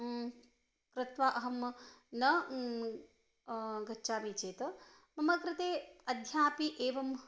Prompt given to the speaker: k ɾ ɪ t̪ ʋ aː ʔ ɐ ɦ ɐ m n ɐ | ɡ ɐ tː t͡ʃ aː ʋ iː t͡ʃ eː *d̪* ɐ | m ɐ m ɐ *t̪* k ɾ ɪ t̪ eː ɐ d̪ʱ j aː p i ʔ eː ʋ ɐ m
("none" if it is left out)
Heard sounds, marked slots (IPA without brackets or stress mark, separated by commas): t̪, none